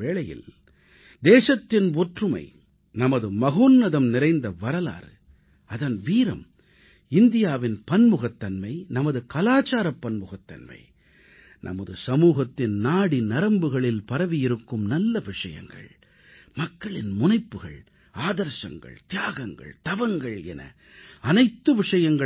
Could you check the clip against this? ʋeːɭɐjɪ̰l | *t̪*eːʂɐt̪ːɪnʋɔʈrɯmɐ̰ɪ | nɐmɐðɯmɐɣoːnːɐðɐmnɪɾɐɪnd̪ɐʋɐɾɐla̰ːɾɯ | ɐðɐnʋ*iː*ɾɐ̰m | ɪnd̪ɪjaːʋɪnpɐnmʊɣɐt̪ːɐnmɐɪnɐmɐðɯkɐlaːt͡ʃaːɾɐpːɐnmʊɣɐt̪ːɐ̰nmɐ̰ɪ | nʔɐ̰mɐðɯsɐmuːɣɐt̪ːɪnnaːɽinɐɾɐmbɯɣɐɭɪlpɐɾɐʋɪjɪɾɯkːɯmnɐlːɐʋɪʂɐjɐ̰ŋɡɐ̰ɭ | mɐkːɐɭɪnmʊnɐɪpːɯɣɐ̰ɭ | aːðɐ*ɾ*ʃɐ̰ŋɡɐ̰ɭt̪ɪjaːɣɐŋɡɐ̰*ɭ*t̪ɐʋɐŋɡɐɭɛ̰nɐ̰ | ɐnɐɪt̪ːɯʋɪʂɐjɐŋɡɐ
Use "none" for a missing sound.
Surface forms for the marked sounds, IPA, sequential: d̪, iː, ɾ, ɭ

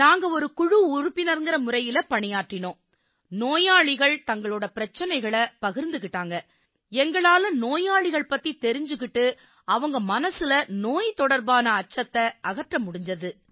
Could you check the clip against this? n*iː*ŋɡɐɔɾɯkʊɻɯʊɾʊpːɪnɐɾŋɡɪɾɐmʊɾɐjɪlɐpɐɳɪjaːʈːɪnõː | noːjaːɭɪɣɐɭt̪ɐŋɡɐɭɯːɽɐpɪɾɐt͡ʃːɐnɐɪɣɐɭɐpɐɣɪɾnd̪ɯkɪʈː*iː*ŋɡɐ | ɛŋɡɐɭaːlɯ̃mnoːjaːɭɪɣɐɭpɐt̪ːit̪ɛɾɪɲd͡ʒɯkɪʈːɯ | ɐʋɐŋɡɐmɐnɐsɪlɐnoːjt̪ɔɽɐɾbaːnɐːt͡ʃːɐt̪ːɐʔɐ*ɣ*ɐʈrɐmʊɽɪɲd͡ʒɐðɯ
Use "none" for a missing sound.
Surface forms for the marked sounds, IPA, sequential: aː, aː, ɣ

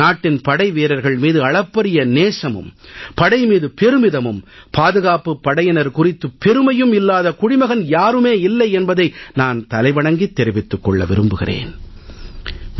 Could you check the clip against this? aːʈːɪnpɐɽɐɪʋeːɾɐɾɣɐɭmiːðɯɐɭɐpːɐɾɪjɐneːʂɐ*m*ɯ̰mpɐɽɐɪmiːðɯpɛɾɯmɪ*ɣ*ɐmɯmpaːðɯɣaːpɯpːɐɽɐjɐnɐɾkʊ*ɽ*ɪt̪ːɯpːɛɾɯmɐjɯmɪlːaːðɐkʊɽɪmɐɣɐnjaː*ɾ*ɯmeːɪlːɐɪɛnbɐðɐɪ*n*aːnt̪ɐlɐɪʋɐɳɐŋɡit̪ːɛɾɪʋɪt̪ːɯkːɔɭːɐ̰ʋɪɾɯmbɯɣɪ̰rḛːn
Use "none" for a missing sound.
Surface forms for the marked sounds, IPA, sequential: m, ð, r, ɾ, n

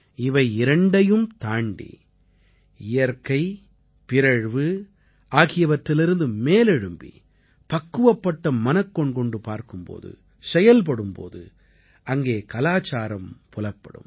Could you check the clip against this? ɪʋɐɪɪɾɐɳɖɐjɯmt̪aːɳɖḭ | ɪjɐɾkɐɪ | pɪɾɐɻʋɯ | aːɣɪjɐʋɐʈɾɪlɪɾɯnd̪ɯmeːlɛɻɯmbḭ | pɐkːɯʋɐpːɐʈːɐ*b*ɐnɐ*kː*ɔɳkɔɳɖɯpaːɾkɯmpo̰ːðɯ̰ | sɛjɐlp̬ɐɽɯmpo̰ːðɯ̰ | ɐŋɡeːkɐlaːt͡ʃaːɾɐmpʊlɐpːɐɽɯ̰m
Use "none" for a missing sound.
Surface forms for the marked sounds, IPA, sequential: m, kː

